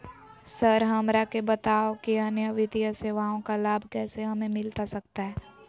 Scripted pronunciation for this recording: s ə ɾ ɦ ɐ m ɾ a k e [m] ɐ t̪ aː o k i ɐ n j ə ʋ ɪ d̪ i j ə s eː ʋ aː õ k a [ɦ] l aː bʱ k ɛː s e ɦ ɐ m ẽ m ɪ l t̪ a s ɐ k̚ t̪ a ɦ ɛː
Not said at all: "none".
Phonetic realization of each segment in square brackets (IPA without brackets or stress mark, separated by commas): b, none